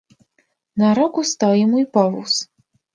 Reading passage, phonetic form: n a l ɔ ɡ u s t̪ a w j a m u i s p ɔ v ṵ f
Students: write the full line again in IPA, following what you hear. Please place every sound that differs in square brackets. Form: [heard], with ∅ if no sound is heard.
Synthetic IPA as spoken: n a [ɾ] ɔ [k] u s t̪ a w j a m u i [∅] p ɔ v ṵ [s]